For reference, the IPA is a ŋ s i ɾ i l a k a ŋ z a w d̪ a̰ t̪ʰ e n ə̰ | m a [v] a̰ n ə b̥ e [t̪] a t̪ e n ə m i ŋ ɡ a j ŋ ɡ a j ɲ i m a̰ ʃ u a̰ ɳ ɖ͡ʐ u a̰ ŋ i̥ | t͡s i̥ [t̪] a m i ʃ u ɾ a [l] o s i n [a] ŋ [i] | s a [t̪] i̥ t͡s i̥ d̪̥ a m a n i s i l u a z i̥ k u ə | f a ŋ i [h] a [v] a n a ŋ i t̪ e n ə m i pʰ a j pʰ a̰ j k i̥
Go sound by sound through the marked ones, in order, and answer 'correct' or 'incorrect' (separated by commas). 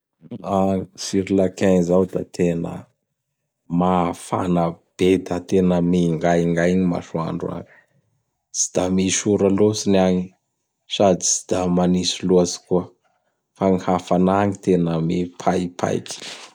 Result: incorrect, incorrect, incorrect, correct, correct, correct, incorrect, correct, incorrect